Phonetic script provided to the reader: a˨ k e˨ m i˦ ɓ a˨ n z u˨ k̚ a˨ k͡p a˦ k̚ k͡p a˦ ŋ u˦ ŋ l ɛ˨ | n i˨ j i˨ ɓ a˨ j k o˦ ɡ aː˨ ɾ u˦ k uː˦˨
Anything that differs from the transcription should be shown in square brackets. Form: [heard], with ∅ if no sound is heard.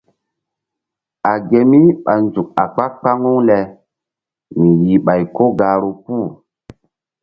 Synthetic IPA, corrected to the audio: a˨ [ɡ] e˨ m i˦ ɓ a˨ n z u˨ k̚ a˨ k͡p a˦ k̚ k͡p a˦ ŋ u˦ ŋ l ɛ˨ | [m] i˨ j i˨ ɓ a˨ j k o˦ ɡ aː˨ ɾ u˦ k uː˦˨